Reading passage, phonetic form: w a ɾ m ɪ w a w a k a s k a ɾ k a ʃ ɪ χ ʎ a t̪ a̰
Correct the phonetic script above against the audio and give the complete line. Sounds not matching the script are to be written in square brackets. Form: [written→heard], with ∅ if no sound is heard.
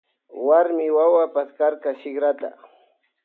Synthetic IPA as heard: w a ɾ m ɪ w a w a [k→p] a s k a ɾ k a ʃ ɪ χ [ʎ→ɾ] a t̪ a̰